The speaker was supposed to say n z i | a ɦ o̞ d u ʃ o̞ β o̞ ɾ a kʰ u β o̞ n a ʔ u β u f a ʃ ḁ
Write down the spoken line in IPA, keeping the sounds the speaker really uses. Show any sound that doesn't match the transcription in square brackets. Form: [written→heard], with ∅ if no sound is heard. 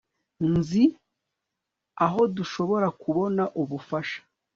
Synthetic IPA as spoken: n z i | a ɦ o̞ d u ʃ o̞ β o̞ ɾ a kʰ u β o̞ n a ʔ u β u f a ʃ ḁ